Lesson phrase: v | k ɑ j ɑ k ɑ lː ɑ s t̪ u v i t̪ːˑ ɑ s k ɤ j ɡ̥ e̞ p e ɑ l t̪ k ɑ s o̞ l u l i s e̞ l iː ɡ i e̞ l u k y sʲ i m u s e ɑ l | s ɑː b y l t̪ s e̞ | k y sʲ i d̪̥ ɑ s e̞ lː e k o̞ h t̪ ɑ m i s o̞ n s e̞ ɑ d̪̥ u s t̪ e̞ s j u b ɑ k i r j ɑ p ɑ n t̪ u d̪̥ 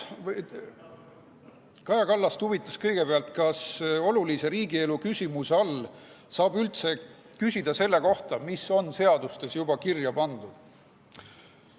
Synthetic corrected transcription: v | k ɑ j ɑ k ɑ lː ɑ s t̪ u v i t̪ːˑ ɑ s k ɤ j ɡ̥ e̞ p e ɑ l t̪ k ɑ s o̞ l u l i s e̞ ɾ iː ɡ i e̞ l u k y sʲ i m u s e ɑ l | s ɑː b y l t̪ s e̞ | k y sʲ i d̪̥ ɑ s e̞ lː e k o̞ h t̪ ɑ m i s o̞ n s e̞ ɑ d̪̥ u s t̪ e̞ s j u b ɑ k i r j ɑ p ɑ n d̪ u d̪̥